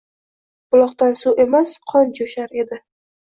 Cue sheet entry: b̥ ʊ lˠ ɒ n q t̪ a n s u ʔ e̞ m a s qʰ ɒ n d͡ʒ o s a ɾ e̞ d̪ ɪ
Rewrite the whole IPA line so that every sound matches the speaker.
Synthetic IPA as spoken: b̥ ʊ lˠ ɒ q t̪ a n s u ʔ e̞ m a s qʰ ɒ n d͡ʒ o ʃ a ɾ e̞ d̪ ɪ

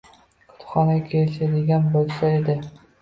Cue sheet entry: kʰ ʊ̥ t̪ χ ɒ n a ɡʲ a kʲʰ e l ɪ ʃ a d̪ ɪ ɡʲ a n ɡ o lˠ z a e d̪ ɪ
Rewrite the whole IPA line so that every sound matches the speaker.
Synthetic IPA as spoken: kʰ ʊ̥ t̪ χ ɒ n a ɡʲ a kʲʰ e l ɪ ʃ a d̪ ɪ ɡʲ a n b o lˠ s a e d̪ ɪ

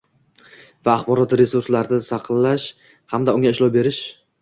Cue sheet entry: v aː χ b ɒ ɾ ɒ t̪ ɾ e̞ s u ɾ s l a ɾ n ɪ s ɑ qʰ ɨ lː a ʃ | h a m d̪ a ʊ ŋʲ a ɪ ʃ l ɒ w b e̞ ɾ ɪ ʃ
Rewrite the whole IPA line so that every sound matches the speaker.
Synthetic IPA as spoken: v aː χ b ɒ ɾ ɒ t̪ ɾ e̞ s u ɾ s l a ɾ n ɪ s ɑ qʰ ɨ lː a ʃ | h a m d̪ a ʊ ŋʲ a ɪ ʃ l ɒ w b e̞ ɾ ɪ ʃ

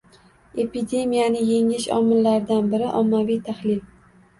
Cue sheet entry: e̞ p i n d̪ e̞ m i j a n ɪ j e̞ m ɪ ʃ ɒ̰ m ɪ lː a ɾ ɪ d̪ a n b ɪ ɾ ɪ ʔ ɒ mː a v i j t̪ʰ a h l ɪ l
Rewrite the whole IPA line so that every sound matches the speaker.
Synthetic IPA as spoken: e̞ p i d̪ e̞ m i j a n ɪ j e̞ ŋ ɪ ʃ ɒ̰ m ɪ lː a ɾ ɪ d̪ a n b ɪ ɾ ɪ ʔ ɒ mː a v i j t̪ʰ a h l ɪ l

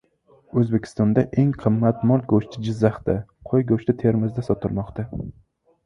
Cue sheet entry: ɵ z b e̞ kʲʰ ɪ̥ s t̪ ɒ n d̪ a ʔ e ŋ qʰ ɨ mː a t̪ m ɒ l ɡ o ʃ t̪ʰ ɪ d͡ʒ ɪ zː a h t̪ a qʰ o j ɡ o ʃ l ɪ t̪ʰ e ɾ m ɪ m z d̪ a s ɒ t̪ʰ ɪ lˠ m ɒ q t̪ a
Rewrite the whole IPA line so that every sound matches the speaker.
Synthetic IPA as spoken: ɵ z b e̞ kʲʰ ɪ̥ s t̪ ɒ n d̪ a ʔ e ŋ qʰ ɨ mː a t̪ m ɒ l ɡ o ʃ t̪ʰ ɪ d͡ʒ ɪ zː a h t̪ a qʰ o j ɡ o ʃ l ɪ t̪ʰ e ɾ m ɪ z d̪ a s ɒ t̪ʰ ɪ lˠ m ɒ q t̪ a

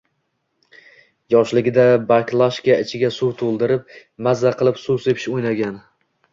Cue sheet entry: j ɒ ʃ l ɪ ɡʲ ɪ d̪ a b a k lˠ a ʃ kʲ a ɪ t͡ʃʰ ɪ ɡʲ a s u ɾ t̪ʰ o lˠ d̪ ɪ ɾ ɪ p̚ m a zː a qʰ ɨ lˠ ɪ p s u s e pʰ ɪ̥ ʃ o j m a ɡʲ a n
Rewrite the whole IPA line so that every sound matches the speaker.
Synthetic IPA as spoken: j ɒ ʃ l ɪ ɡʲ ɪ d̪ a b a k lˠ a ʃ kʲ a ɪ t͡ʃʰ ɪ ɡʲ a s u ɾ t̪ʰ o lˠ d̪ ɪ ɾ ɪ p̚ m a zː a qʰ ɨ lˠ ɪ p s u s e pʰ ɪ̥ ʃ o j n a ɡʲ a n

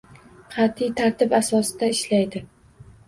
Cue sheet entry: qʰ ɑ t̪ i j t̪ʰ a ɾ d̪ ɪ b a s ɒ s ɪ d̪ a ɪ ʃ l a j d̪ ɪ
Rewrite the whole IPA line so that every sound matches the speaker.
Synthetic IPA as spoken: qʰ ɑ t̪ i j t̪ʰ a ɾ t̪ ɪ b a s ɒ s ɪ d̪ a ɪ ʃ l a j d̪ ɪ

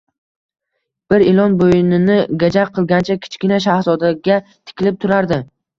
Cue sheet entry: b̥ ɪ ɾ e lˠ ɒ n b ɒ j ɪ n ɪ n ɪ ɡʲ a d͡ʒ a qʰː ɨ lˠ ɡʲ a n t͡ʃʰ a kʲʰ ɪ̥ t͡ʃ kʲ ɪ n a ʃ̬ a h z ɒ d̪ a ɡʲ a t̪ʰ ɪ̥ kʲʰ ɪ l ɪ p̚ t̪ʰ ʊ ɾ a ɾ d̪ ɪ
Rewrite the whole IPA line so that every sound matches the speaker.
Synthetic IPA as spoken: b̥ ɪ ɾ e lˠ ɒ n b o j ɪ n ɪ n ɪ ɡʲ a d͡ʒ a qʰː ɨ lˠ ɡʲ a n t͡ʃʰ a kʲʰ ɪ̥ t͡ʃ kʲ ɪ n a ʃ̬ a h z ɒ d̪ a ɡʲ a t̪ʰ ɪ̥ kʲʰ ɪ l ɪ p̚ t̪ʰ ʊ ɾ a ɾ d̪ ɪ

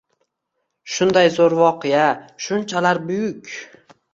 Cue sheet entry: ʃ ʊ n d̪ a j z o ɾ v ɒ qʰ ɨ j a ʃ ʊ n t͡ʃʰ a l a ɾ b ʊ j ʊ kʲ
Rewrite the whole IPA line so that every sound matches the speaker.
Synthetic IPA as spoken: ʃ ʊ n d̪ a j z o ɾ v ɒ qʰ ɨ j a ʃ ʊ n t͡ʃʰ a l a ɾ b ʊ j ʊ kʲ

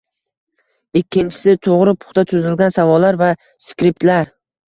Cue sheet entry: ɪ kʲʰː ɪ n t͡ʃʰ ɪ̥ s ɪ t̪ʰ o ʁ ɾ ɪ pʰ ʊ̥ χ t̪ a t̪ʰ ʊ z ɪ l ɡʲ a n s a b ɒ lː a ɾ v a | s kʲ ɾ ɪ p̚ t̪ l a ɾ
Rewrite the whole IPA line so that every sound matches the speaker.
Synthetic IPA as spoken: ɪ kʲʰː ɪ n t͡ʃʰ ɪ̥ s ɪ t̪ʰ o ʁ ɾ ɪ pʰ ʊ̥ χ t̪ a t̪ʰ ʊ z ɪ l ɡʲ a n s a v ɒ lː a ɾ v a | s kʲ ɾ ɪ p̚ t̪ l a ɾ

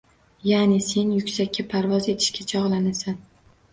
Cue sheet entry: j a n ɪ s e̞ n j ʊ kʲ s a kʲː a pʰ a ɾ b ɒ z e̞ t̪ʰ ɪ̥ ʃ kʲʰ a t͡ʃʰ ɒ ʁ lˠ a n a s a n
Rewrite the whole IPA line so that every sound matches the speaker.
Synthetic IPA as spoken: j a n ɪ s e̞ n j ʊ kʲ s a kʲː a pʰ a ɾ v ɒ z e̞ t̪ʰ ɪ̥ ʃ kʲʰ a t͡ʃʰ ɒ ʁ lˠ a n a s a n

